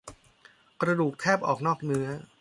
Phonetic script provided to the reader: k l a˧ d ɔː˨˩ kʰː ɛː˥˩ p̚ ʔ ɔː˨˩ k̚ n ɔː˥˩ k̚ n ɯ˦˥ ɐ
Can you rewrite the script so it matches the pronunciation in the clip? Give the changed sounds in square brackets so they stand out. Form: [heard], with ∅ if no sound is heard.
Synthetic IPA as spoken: k [ɾ] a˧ d [uː˨˩] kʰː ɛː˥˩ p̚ ʔ ɔː˨˩ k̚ n ɔː˥˩ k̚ n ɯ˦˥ ɐ